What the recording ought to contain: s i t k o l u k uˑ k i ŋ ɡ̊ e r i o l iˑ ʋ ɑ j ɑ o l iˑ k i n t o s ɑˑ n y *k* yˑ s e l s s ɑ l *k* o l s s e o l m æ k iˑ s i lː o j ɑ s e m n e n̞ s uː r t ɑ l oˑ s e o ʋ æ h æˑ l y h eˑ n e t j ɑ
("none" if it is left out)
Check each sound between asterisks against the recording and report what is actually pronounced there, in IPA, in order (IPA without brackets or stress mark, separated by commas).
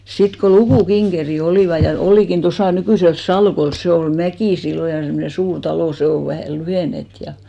k, k